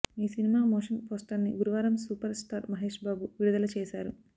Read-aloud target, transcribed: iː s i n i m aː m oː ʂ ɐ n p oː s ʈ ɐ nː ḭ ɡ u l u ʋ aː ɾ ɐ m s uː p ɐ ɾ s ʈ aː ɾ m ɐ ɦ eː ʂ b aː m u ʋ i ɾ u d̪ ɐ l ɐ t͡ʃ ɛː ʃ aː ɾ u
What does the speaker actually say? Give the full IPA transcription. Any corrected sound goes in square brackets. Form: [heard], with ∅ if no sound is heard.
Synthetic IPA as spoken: iː s i n i m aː m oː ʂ ɐ n p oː s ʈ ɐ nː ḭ ɡ u [ɾ] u ʋ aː ɾ ɐ m s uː p ɐ ɾ s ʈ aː ɾ m ɐ ɦ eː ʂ b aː [b] u ʋ i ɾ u d̪ ɐ l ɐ t͡ʃ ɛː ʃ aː ɾ u